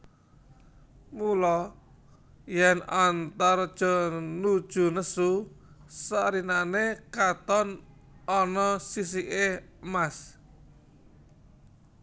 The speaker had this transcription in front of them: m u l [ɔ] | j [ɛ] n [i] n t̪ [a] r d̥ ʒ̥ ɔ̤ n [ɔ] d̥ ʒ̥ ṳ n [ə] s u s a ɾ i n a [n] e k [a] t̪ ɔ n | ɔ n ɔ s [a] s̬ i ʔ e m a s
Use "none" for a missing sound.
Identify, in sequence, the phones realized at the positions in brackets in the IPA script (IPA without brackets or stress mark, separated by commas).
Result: ɔ, ɛ, a, a, u, ə, n, a, i